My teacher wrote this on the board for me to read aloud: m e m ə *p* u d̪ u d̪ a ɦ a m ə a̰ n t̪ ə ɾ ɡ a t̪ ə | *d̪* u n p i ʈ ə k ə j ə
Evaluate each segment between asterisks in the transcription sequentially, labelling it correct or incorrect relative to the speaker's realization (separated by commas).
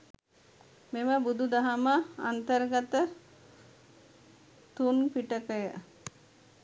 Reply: incorrect, incorrect